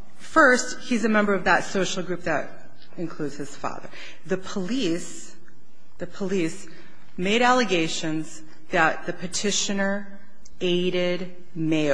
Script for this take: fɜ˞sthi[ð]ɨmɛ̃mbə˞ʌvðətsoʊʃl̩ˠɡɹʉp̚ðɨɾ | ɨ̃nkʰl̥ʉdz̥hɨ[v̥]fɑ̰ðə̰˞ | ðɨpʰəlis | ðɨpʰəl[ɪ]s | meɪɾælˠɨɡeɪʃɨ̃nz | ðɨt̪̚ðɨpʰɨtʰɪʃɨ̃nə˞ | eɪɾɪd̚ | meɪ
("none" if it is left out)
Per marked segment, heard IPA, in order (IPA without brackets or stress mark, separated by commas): z, z̥, i